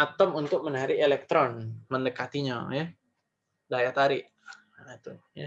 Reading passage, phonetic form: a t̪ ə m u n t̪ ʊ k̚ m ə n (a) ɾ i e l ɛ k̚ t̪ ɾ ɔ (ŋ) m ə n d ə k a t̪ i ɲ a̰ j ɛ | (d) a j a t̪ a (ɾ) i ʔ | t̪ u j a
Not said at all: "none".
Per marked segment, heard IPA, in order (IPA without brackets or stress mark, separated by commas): a, n, d, ɾ